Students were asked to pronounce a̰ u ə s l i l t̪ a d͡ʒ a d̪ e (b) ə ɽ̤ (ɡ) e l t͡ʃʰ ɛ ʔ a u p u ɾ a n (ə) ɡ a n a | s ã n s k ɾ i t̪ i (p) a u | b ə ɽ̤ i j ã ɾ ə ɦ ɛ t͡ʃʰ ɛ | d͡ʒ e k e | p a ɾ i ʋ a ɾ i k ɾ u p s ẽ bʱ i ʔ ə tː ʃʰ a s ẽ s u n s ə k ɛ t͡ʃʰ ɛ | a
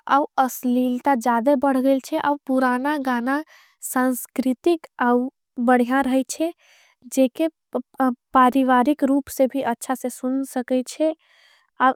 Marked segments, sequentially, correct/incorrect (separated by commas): correct, correct, incorrect, incorrect